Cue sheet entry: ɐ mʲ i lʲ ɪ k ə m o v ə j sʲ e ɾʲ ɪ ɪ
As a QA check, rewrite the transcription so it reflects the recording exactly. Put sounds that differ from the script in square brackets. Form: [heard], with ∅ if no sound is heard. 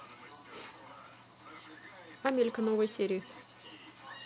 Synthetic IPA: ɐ mʲ [e] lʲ ɪ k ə [n] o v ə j sʲ e ɾʲ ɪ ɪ